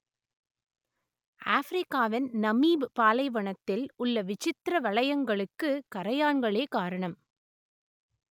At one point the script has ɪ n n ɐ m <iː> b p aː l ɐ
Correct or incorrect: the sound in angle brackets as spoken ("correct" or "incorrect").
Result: correct